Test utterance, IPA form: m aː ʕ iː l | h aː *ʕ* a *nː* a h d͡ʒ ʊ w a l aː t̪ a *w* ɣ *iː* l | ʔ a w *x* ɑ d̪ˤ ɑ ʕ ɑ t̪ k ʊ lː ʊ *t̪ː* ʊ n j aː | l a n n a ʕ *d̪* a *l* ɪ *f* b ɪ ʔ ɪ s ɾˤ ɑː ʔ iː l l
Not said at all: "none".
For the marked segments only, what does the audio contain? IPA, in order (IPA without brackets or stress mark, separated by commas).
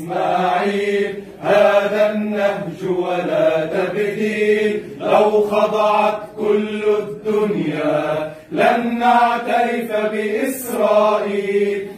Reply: ð, nː, b, iː, x, d̪ː, t̪, ɾ, f